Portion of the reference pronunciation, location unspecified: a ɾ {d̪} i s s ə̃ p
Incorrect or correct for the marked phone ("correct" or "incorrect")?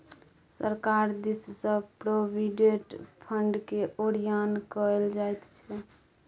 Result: correct